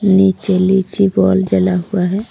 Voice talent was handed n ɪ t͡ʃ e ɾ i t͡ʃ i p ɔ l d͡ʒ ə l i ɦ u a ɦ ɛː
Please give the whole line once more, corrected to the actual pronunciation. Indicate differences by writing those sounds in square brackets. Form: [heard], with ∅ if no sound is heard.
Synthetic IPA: n [i] t͡ʃ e [l] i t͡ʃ i [b] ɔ l d͡ʒ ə l [a] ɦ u a ɦ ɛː